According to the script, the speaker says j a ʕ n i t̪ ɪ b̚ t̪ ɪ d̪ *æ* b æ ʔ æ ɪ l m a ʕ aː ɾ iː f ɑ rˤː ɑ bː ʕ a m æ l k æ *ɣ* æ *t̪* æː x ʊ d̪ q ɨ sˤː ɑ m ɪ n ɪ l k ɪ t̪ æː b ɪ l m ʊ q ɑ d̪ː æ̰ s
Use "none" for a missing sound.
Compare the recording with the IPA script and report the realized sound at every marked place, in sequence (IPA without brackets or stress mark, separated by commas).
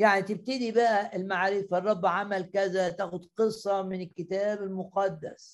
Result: i, z, t̪